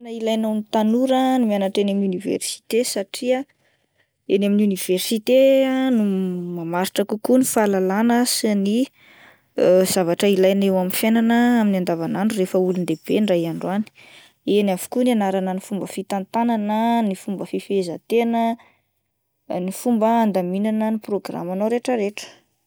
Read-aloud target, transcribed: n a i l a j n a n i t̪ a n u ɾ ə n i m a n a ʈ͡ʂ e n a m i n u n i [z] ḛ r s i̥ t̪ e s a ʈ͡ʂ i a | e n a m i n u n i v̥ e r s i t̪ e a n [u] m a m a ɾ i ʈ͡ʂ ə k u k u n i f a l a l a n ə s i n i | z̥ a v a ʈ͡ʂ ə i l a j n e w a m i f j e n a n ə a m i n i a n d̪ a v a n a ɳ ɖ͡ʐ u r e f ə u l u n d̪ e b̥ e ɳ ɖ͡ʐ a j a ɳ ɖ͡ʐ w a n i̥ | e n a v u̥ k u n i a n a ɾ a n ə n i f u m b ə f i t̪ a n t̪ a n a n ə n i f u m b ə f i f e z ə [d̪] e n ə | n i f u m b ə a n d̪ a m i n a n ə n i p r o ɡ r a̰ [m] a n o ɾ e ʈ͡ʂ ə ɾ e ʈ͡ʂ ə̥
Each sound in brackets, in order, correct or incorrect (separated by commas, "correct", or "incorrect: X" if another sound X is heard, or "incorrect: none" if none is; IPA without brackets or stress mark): incorrect: v, correct, incorrect: t̪, correct